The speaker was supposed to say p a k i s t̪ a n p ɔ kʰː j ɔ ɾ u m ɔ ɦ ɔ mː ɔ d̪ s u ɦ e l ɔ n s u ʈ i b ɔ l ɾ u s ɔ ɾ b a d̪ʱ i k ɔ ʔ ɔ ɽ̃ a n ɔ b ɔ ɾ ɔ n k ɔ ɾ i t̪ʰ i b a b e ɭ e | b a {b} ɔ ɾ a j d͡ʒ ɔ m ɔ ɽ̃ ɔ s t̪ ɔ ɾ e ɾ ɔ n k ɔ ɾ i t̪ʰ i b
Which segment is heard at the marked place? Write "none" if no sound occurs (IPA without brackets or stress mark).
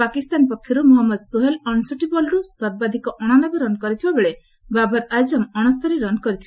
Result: b